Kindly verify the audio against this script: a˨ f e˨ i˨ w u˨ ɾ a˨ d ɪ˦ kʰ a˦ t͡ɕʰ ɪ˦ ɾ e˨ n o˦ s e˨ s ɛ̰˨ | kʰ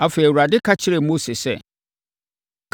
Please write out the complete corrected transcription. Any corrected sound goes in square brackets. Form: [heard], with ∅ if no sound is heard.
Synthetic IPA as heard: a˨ f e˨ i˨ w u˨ ɾ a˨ d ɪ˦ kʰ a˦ t͡ɕʰ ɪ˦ ɾ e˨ [m] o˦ s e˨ s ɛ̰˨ | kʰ